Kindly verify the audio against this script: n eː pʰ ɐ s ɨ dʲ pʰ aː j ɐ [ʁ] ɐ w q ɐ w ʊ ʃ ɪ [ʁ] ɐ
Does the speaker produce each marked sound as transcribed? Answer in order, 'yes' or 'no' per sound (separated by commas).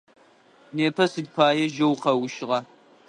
no, yes